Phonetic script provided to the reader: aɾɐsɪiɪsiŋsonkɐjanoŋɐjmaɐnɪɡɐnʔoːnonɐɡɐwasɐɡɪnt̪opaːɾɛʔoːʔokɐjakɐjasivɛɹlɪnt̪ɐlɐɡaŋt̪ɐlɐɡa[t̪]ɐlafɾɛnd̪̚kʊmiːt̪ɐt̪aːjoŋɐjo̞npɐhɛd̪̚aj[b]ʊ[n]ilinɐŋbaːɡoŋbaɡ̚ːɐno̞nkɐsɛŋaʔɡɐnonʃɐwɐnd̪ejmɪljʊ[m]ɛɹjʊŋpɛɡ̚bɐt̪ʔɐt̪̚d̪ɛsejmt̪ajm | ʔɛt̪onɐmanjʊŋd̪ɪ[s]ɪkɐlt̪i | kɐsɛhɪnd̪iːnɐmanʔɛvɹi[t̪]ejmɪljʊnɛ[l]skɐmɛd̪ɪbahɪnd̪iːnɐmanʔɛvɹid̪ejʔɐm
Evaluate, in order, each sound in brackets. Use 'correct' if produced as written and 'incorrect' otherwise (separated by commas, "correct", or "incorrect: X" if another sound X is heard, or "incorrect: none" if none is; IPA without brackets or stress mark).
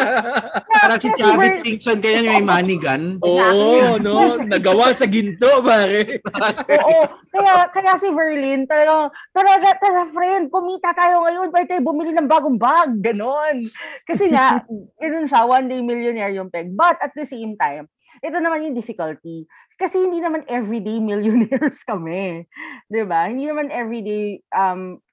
correct, correct, incorrect: m, incorrect: n, incorrect: f, incorrect: d̪, incorrect: ɹ